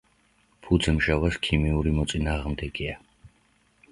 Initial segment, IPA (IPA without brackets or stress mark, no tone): pʰ